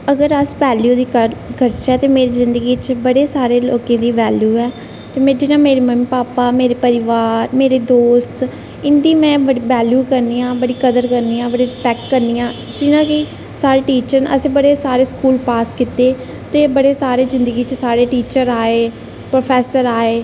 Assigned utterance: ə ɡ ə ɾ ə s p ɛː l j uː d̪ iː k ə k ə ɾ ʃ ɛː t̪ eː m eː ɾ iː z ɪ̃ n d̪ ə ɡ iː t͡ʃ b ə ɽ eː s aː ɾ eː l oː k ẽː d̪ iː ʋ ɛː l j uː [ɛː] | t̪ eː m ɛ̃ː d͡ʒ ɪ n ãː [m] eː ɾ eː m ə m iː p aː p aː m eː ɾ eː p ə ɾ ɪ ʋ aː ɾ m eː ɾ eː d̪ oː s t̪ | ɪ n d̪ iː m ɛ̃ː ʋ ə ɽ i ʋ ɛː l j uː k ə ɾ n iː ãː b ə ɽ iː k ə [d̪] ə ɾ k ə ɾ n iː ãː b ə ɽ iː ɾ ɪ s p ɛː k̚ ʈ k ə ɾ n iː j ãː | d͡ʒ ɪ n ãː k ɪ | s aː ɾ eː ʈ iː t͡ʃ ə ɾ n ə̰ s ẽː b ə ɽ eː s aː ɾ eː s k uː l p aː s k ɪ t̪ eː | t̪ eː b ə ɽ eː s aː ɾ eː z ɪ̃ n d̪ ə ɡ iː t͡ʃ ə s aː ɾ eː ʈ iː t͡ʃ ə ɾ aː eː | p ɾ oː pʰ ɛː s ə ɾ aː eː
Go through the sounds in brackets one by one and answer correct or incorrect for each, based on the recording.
correct, correct, correct

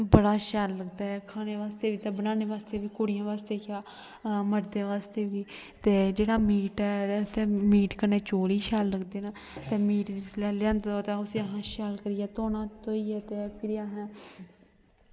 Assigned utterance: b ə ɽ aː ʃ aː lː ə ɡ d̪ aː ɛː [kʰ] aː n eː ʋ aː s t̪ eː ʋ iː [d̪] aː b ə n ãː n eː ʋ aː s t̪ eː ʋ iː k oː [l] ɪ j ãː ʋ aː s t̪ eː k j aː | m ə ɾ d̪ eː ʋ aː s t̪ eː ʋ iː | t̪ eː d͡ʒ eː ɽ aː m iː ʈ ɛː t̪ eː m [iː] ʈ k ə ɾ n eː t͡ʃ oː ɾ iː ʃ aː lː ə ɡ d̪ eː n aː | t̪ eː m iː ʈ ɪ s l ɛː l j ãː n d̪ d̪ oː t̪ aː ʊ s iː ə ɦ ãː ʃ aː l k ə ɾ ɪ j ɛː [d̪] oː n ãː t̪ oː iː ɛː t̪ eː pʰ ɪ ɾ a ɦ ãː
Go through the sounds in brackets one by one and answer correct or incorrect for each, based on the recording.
correct, incorrect, incorrect, correct, incorrect

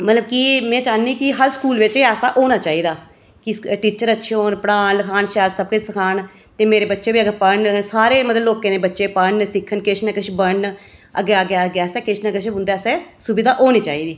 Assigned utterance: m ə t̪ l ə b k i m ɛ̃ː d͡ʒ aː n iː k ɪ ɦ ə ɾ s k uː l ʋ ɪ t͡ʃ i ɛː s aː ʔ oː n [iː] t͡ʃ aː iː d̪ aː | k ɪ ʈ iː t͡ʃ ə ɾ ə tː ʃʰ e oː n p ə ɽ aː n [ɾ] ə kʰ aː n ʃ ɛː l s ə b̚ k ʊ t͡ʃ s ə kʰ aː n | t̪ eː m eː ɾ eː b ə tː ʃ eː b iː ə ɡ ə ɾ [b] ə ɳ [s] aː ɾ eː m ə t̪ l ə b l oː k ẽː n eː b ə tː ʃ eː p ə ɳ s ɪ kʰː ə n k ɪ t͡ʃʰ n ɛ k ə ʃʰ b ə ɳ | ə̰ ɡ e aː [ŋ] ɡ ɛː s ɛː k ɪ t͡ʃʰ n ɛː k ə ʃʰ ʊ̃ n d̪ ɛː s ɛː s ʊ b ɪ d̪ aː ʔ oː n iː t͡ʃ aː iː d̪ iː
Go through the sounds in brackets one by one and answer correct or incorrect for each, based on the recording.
incorrect, incorrect, incorrect, correct, incorrect

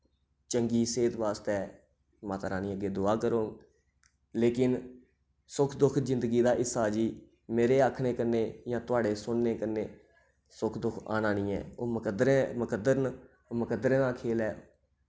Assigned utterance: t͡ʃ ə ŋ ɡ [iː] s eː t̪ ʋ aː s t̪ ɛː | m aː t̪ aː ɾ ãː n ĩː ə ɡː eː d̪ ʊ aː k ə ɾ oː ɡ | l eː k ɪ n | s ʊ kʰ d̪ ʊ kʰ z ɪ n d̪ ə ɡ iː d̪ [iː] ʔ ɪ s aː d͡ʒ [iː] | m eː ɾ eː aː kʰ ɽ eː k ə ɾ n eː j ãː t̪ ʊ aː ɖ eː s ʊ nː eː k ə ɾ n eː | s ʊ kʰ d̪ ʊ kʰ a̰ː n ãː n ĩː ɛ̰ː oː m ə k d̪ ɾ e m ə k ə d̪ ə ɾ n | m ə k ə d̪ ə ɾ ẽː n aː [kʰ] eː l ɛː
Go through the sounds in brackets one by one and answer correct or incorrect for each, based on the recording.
correct, incorrect, correct, correct

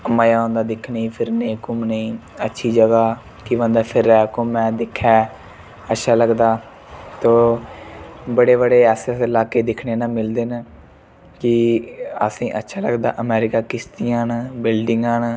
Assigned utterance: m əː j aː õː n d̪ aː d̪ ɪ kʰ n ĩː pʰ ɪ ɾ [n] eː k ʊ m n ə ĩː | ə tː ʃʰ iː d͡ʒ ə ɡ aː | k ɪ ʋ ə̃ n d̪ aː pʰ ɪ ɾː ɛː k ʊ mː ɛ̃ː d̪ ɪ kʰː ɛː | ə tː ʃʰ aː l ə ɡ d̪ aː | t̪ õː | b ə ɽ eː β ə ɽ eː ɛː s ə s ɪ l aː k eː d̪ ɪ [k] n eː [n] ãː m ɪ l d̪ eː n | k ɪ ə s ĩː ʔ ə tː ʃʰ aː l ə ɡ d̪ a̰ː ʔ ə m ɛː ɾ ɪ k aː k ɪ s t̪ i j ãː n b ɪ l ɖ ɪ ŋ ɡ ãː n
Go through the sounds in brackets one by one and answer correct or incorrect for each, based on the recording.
correct, incorrect, correct

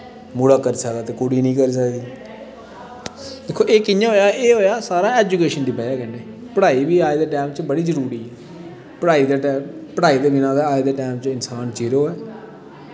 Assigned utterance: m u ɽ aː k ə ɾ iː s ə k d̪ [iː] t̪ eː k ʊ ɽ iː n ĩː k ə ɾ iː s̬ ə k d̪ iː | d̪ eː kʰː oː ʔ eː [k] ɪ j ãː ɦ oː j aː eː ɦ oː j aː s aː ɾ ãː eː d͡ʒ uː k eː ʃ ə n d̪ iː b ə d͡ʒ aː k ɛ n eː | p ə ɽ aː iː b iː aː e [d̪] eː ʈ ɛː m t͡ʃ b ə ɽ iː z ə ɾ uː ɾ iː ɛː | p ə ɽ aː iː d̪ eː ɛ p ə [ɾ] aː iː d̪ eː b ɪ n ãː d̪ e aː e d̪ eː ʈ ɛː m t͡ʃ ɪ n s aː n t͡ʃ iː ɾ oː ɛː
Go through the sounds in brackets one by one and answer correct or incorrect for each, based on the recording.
incorrect, correct, correct, incorrect

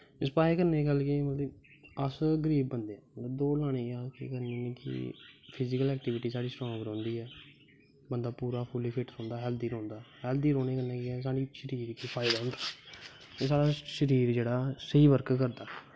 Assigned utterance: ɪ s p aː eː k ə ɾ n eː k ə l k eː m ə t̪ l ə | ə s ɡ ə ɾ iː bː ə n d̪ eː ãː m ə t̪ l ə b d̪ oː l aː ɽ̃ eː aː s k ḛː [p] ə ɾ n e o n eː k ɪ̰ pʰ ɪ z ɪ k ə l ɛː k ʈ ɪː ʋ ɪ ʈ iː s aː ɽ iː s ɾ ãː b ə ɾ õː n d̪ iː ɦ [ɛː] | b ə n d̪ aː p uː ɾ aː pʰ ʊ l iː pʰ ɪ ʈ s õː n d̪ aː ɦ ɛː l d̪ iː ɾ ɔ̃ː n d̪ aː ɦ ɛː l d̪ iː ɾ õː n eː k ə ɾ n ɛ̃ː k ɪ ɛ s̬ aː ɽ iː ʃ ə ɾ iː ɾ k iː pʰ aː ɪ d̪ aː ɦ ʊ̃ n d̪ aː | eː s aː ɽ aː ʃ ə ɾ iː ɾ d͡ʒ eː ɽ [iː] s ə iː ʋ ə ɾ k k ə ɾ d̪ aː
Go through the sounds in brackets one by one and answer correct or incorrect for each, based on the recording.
incorrect, correct, incorrect

